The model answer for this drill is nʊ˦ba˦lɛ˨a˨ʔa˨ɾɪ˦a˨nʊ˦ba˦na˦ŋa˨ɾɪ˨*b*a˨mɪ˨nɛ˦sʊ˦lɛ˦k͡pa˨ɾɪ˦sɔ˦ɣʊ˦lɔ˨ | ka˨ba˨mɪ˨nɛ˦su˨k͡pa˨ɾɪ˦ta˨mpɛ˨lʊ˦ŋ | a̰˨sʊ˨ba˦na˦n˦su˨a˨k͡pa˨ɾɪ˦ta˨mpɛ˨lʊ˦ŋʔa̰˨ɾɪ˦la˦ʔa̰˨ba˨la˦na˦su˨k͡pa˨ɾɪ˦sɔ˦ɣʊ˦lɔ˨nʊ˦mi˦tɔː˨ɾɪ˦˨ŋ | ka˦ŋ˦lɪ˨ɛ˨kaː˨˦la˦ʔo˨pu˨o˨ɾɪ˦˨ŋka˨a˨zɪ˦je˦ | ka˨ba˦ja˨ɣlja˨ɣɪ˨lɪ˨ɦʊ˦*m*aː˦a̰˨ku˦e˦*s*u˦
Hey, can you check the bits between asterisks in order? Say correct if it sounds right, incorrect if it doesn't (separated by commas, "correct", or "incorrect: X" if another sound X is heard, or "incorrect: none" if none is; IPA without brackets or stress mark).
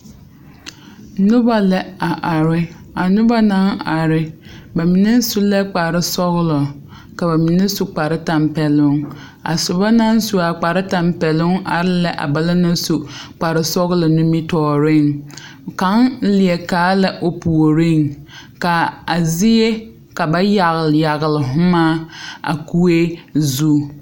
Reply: correct, correct, incorrect: z